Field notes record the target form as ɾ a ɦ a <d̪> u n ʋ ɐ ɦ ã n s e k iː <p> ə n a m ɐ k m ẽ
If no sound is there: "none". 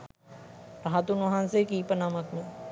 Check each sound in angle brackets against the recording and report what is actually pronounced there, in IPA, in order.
t̪, p

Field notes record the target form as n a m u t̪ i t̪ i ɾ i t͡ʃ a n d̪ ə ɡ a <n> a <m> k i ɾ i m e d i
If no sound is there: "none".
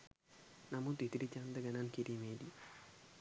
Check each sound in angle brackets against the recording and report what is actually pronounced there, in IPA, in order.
n, n

